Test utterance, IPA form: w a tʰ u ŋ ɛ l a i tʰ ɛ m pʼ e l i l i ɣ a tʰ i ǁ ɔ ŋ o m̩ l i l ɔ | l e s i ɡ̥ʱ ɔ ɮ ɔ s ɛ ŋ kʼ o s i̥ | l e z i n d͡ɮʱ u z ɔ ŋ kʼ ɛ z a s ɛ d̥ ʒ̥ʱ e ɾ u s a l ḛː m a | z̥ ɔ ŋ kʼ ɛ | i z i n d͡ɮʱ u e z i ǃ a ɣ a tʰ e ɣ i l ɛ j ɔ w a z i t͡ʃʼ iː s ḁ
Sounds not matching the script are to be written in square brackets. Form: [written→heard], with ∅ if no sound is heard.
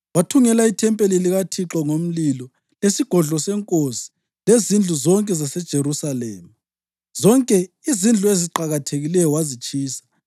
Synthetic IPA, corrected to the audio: w a tʰ u ŋ ɛ l a i tʰ ɛ m pʼ e l i l i ɣ a tʰ i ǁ ɔ ŋ o m̩ l i l ɔ | l e s i ɡ̥ʱ ɔ ɮ ɔ s ɛ ŋ kʼ o s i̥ | l e z i n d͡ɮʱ u z ɔ ŋ kʼ ɛ z a s ɛ d̥ ʒ̥ʱ e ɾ u s a l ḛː m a | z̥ ɔ ŋ kʼ ɛ | i z i n d͡ɮʱ u e z i ǃ a ɣ a tʰ e ɣ i l ɛ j ɔ w a z i t͡ʃʼ iː s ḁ

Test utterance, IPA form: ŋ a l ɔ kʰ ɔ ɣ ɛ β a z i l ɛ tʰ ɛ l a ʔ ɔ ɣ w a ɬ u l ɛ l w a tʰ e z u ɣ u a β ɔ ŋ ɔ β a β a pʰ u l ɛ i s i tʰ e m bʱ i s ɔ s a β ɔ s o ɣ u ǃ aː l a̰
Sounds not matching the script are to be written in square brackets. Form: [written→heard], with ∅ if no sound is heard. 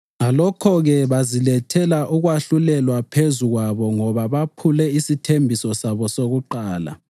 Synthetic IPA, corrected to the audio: ŋ a l ɔ kʰ ɔ ɣ ɛ β a z i l ɛ tʰ ɛ l a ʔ [ɔ→u] ɣ w a ɬ u l ɛ l w a [tʰ→pʰ] e z u ɣ [u→w] a β ɔ ŋ ɔ β a β a pʰ u l ɛ i s i tʰ e m bʱ i s ɔ s a β ɔ s o ɣ u ǃ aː l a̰

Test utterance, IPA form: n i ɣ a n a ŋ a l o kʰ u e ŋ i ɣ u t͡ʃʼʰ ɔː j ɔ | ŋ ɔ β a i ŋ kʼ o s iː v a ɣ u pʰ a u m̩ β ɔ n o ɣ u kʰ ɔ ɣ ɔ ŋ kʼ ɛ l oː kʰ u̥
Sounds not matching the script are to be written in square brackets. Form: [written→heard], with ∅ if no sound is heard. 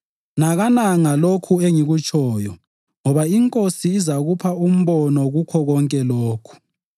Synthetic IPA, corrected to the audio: n [i→a] ɣ a n a ŋ a l o kʰ u e ŋ i ɣ u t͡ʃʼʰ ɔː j ɔ | ŋ ɔ β a i ŋ kʼ o s iː [v→z] a ɣ u pʰ a u m̩ β ɔ n [o→ɔ] ɣ u kʰ ɔ ɣ ɔ ŋ kʼ ɛ l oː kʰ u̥

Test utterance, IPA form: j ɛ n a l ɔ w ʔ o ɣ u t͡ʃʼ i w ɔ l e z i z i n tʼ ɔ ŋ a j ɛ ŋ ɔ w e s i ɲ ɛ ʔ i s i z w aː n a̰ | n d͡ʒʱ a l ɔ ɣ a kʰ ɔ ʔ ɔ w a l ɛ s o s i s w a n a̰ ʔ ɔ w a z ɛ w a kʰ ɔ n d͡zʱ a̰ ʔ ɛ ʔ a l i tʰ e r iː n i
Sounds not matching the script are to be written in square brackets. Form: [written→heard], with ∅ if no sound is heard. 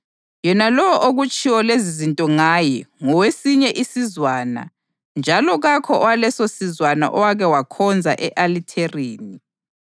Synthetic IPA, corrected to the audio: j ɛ n a l ɔ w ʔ o ɣ u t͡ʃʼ i w ɔ l e z i z i n tʼ ɔ ŋ a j ɛ ŋ ɔ w e s i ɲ ɛ ʔ i s i z w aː n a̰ | n d͡ʒʱ a l ɔ ɣ a kʰ ɔ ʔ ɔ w a l ɛ s o s i [s→z] w a n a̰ ʔ ɔ w a [z→ɣ] ɛ w a kʰ ɔ n d͡zʱ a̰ ʔ ɛ ʔ a l i tʰ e r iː n i

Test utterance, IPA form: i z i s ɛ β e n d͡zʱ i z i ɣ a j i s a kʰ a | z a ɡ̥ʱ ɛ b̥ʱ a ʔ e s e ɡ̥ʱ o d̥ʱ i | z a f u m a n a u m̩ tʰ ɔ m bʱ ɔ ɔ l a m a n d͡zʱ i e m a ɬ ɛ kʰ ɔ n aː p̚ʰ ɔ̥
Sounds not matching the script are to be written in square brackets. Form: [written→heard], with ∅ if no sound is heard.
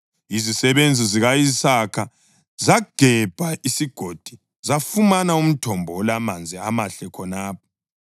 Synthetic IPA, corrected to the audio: i z i s ɛ β e n d͡zʱ i z i ɣ a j i s a kʰ a | z a ɡ̥ʱ ɛ b̥ʱ a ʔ [e→i] s [e→i] ɡ̥ʱ o d̥ʱ i | z a f u m a n a u m̩ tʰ ɔ m bʱ ɔ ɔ l a m a n d͡zʱ i [e→a] m a ɬ ɛ kʰ ɔ n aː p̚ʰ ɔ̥

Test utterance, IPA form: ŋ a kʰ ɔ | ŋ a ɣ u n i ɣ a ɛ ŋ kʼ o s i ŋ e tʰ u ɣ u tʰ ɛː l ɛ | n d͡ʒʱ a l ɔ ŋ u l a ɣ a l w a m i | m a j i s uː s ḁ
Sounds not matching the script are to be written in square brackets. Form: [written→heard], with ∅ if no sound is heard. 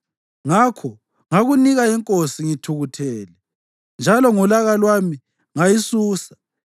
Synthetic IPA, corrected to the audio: ŋ a kʰ ɔ | ŋ a ɣ u n i ɣ a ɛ ŋ kʼ o s i ŋ [e→i] tʰ u ɣ u tʰ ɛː l ɛ | n d͡ʒʱ a l ɔ ŋ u l a ɣ a l w a m i | [m→ŋ] a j i s uː s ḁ

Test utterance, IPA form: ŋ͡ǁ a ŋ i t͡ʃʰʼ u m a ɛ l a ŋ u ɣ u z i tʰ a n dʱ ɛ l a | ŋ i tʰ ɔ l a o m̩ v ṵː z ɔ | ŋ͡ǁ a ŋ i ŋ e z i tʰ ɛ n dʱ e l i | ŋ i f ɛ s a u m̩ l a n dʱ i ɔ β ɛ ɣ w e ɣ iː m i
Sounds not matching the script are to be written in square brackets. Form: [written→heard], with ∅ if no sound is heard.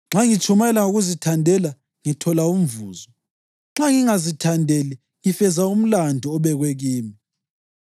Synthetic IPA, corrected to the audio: ŋ͡ǁ a ŋ i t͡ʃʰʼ u m a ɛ l a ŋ u ɣ u z i tʰ a n dʱ ɛ l a | ŋ i tʰ ɔ l a [o→u] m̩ v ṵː z ɔ | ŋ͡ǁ a ŋ i ŋ [e→a] z i tʰ [ɛ→a] n dʱ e l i | ŋ i f ɛ [s→z] a u m̩ l a n dʱ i ɔ β ɛ ɣ w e ɣ iː m i

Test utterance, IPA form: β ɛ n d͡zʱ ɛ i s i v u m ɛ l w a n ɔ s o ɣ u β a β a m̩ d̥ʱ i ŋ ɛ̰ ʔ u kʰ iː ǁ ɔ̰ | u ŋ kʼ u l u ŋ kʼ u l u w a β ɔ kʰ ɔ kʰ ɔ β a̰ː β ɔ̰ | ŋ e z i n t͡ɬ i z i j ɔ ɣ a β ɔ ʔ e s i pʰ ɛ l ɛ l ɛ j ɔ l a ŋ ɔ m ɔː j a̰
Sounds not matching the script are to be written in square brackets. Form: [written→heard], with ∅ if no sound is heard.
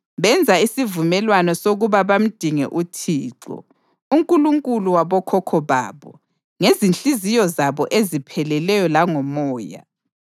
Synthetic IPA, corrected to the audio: β ɛ n d͡zʱ [ɛ→a] i s i v u m ɛ l w a n ɔ s o ɣ u β a β a m̩ d̥ʱ i ŋ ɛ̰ ʔ u [kʰ→tʰ] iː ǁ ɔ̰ | u ŋ kʼ u l u ŋ kʼ u l u w a β ɔ kʰ ɔ kʰ ɔ β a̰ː β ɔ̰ | ŋ e z i n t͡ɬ i z i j ɔ [ɣ→z] a β ɔ ʔ e [s→z] i pʰ ɛ l ɛ l ɛ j ɔ l a ŋ ɔ m ɔː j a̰

